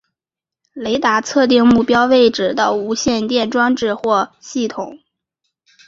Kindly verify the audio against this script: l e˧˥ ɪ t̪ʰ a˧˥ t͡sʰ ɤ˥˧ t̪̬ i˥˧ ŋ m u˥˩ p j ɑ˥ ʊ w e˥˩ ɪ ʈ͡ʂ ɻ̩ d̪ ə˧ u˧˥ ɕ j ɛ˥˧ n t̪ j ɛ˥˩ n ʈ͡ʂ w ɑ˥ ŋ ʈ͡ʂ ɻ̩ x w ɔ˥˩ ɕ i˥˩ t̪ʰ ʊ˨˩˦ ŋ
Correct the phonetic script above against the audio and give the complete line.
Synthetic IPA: l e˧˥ ɪ t̪ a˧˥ t͡sʰ ɤ˥˧ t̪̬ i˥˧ ŋ m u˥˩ p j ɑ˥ ʊ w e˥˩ ɪ ʈ͡ʂ ɻ̩ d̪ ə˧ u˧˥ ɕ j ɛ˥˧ n t̪ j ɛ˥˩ n ʈ͡ʂ w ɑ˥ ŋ ʈ͡ʂ ɻ̩ x w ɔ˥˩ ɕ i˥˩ t̪ʰ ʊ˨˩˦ ŋ